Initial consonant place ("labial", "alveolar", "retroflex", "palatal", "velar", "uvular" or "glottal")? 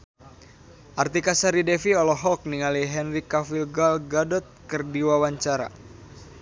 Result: glottal